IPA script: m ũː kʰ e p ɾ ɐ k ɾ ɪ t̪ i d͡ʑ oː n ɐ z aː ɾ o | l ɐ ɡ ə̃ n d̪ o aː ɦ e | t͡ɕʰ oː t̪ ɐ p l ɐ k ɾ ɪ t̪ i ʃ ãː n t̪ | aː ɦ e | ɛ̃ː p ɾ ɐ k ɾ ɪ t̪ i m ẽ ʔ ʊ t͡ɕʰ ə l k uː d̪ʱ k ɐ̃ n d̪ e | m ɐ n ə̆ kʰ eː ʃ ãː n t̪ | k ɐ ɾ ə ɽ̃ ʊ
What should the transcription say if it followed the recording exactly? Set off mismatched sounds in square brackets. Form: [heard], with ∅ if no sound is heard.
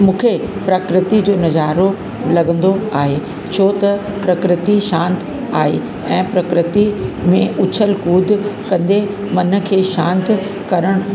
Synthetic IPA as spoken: m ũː kʰ e p ɾ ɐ k ɾ ɪ t̪ i d͡ʑ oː n ɐ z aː ɾ o | l ɐ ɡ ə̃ n d̪ o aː ɦ e | t͡ɕʰ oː t̪ ɐ p [ɾ] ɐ k ɾ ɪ t̪ i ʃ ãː n t̪ | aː ɦ e | ɛ̃ː p ɾ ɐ k ɾ ɪ t̪ i m ẽ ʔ ʊ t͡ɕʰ ə l k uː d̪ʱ k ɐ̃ n d̪ e | m ɐ n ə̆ kʰ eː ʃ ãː n t̪ | k ɐ ɾ ə ɽ̃ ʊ